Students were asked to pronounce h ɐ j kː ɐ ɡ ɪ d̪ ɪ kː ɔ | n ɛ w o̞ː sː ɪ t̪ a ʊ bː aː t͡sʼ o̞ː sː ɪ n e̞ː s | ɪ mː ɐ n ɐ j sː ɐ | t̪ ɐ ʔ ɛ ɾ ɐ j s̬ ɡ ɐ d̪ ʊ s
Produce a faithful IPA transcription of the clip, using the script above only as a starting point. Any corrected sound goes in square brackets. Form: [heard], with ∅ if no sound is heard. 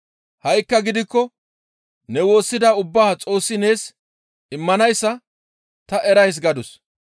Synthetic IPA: h ɐ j kː ɐ ɡ ɪ d̪ ɪ kː ɔ | n ɛ w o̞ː sː ɪ [d̪] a ʊ bː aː t͡sʼ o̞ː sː ɪ n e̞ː s | ɪ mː ɐ n ɐ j sː ɐ | t̪ ɐ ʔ ɛ ɾ ɐ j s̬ ɡ ɐ d̪ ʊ s